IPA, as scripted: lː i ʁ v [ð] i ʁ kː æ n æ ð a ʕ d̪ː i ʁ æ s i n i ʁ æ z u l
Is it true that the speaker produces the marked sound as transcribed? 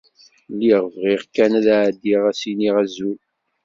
no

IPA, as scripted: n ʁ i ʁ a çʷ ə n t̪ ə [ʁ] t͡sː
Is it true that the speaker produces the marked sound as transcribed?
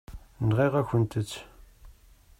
no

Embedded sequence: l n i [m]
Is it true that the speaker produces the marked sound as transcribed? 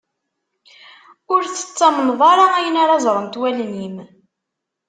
yes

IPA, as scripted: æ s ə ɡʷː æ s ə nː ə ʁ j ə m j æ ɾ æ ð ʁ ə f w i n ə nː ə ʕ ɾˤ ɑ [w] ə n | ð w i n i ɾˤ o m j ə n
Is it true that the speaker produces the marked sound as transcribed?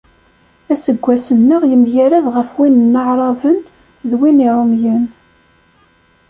no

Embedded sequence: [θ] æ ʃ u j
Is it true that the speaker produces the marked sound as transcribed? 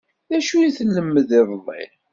no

